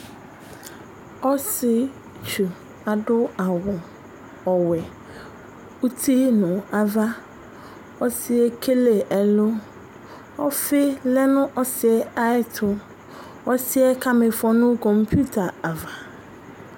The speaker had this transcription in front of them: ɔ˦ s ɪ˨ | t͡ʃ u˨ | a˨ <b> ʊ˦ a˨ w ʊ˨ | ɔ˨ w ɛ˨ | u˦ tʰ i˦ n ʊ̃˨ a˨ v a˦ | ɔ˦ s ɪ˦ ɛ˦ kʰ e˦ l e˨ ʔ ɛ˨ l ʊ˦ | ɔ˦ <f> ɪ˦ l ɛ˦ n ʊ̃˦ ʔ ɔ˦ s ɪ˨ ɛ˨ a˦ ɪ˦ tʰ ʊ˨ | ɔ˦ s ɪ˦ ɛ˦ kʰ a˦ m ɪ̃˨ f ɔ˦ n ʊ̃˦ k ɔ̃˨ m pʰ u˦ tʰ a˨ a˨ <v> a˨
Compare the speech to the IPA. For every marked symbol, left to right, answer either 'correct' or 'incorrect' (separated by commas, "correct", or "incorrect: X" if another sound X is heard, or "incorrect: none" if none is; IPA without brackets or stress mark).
incorrect: d, correct, correct